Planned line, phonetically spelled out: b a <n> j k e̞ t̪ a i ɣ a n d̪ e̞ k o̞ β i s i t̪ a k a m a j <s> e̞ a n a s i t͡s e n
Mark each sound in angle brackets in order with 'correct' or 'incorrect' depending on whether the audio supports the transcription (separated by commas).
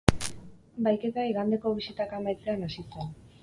incorrect, incorrect